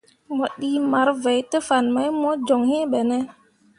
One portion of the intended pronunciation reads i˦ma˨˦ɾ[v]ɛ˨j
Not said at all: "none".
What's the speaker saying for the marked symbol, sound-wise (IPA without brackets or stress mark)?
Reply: v